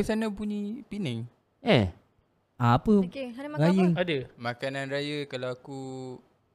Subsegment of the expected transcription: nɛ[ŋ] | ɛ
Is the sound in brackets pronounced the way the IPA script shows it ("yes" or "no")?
yes